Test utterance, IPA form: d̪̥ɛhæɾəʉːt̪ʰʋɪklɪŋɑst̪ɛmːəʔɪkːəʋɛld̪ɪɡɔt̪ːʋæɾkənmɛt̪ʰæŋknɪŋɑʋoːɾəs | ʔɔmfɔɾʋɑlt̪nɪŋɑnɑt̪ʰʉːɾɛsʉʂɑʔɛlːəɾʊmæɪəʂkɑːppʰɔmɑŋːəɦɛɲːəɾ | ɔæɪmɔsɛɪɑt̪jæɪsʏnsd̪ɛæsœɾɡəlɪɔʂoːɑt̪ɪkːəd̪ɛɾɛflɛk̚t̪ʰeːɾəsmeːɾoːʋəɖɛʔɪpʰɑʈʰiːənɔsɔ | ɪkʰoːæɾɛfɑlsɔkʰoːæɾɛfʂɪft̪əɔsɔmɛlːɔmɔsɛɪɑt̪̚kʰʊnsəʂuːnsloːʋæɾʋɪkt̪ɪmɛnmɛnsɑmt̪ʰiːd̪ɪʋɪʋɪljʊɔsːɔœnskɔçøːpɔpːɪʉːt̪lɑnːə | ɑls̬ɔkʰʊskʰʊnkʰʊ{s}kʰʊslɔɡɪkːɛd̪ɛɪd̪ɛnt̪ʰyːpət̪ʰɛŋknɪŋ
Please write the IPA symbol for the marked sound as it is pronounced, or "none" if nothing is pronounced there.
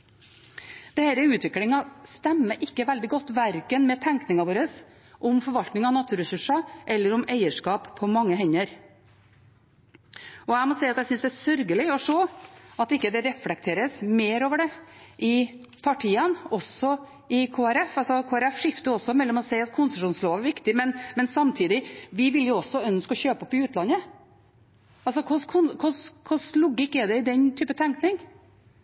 s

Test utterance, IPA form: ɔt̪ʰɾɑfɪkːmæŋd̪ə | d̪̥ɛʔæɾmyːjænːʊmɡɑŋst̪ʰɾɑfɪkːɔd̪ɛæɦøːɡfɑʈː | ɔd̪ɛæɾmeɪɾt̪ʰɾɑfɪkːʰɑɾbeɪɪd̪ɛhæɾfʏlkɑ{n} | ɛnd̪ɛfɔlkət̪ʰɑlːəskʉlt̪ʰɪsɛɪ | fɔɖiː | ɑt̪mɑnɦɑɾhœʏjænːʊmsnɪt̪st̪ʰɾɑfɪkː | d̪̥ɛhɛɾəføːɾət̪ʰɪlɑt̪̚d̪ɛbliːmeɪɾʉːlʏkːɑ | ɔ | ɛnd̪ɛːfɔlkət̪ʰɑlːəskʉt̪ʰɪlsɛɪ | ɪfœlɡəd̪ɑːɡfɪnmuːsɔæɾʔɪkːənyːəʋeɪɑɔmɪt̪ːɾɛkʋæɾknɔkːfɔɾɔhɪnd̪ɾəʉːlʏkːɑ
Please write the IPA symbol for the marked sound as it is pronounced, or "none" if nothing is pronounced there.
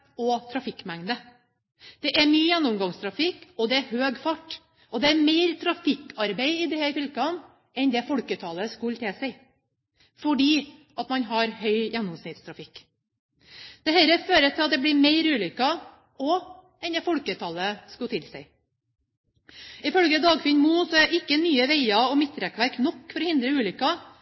n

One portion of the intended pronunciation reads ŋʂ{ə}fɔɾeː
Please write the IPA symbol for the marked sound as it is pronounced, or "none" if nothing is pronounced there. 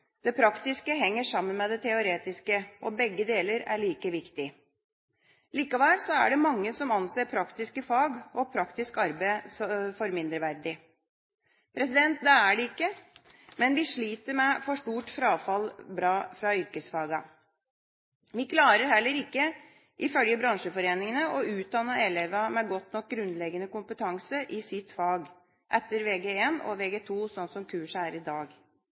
ə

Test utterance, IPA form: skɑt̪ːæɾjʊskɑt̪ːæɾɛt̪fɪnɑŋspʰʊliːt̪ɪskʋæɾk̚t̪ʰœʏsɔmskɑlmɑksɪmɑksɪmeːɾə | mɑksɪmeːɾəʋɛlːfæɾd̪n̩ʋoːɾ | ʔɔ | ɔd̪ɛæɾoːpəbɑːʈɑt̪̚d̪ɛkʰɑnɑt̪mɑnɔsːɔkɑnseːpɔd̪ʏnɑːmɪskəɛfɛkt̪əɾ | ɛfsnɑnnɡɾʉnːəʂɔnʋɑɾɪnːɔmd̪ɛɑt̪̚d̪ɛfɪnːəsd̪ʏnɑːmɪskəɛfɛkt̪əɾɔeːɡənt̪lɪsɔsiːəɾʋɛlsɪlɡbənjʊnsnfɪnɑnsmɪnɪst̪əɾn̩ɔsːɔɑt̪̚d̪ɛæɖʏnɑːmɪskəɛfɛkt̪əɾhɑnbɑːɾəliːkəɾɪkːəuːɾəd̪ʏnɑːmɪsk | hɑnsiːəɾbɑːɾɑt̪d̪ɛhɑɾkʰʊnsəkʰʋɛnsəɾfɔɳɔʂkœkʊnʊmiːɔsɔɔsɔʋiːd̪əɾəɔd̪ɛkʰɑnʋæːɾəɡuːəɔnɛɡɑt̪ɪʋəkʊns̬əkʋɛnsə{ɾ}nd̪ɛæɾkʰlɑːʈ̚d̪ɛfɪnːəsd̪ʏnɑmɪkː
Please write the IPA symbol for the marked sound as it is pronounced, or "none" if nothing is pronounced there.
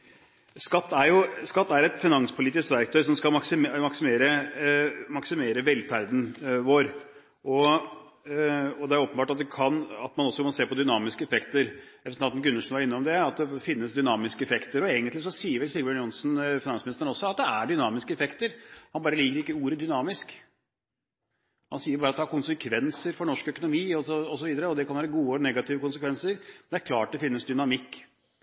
ɾ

